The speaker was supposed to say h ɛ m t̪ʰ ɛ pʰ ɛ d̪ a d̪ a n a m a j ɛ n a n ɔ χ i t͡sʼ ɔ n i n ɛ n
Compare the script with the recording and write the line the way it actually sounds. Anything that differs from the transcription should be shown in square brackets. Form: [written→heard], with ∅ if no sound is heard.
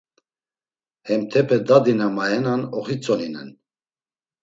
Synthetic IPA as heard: h ɛ m t̪ʰ ɛ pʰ ɛ d̪ a d̪ [a→i] n a m a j ɛ n a n ɔ χ i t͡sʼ ɔ n i n ɛ n